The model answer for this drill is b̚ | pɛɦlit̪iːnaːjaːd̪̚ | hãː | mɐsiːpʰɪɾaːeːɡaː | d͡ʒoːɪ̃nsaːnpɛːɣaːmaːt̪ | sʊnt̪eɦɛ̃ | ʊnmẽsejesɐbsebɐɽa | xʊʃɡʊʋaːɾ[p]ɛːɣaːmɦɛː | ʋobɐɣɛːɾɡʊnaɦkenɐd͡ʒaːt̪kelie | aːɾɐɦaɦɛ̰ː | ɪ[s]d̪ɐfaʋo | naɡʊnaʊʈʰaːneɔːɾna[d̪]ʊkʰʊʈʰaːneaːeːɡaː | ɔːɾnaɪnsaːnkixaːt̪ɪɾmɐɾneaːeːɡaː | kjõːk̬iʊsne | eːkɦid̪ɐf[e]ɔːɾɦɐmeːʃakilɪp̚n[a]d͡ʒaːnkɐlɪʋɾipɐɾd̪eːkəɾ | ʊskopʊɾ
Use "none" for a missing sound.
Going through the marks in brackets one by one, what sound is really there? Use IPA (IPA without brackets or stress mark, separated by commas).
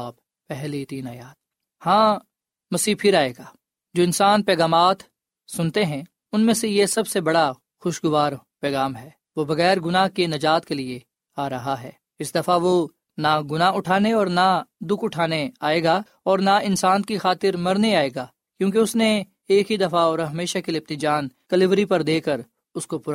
p, s, d̪, a, i